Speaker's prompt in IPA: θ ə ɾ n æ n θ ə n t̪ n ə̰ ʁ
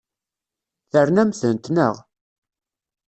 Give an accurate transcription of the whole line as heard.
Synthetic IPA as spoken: θ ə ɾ n æ m θ ə n t̪ n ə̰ ʁ